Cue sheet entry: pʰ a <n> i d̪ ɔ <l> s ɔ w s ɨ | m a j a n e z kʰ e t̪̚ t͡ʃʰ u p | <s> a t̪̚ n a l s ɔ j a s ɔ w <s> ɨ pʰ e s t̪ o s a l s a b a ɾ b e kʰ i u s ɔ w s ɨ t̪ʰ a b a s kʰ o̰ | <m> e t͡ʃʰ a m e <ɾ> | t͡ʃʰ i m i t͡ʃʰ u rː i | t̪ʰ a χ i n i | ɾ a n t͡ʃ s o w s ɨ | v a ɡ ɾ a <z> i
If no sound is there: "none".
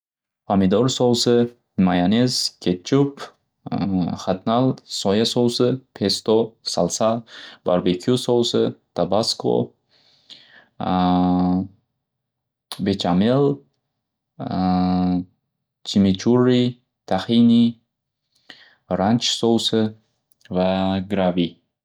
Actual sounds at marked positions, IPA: m, ɾ, χ, s, b, l, v

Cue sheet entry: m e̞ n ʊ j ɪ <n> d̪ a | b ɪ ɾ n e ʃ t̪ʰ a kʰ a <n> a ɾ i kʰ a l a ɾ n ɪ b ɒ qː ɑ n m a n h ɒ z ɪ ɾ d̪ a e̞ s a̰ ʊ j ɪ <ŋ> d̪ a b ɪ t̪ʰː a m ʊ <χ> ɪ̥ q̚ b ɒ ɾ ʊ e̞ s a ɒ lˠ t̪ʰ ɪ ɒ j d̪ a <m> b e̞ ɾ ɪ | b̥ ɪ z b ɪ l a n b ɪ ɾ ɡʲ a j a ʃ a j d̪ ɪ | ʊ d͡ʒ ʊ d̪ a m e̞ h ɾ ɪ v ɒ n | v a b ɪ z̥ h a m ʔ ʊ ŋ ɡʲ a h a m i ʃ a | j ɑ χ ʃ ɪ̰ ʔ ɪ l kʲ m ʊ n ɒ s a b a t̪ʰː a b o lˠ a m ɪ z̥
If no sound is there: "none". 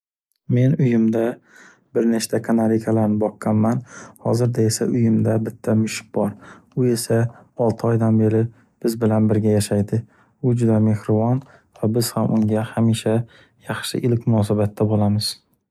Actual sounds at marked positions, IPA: m, n, m, ʃ, n

